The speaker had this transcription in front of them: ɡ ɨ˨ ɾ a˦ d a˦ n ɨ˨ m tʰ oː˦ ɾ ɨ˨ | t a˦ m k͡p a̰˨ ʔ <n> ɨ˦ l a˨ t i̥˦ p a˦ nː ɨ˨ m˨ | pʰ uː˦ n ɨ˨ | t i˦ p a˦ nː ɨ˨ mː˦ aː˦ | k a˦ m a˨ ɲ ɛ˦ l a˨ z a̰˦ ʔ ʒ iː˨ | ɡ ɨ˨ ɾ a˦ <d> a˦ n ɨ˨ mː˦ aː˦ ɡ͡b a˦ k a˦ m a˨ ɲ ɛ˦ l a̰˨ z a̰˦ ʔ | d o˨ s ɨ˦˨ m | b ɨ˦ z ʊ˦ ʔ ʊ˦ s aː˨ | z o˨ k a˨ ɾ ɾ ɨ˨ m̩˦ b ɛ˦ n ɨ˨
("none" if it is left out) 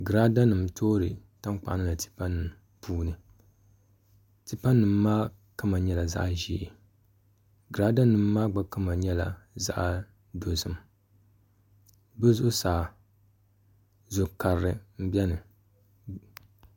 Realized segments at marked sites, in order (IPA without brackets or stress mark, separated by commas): n, d